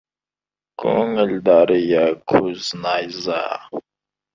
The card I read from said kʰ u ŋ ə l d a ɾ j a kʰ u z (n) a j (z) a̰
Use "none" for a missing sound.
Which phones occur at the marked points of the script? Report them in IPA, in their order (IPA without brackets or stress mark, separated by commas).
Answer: n, z